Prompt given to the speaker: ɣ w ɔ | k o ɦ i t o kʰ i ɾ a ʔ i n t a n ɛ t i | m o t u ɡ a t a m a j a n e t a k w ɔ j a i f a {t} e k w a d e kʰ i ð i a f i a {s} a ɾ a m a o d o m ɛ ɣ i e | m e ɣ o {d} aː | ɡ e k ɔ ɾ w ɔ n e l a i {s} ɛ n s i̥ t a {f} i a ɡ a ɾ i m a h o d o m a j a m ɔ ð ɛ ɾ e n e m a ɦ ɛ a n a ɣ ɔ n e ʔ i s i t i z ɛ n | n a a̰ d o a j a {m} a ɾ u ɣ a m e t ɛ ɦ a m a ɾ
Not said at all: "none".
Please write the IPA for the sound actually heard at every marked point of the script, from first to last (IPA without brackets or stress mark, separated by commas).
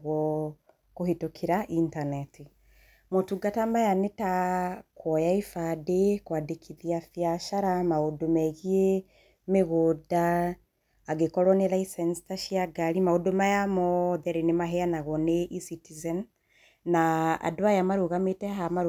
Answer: d, ʃ, d, s, ʃ, m